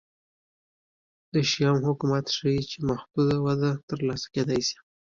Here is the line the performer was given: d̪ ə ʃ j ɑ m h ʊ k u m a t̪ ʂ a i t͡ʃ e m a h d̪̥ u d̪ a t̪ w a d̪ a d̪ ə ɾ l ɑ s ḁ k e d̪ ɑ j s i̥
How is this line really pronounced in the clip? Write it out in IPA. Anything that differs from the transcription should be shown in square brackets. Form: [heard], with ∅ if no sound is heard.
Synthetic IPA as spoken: d̪ ə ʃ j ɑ m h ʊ k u m a t̪ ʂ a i t͡ʃ e m a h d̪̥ u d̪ a [∅] w a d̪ a [t̪] ə ɾ l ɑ s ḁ k e d̪ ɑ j s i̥